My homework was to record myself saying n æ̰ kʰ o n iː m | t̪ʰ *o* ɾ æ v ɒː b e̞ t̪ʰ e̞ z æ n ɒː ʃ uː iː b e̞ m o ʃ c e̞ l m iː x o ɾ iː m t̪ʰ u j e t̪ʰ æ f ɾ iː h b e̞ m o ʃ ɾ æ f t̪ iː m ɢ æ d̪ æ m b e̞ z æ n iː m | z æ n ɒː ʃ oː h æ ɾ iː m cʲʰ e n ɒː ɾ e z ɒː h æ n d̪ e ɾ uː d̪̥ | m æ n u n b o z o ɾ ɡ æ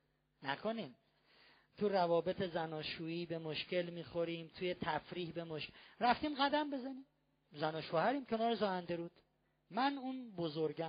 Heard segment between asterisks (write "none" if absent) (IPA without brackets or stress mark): u